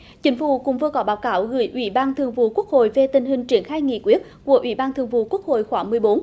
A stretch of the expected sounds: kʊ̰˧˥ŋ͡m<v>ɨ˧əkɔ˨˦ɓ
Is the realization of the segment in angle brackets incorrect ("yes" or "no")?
no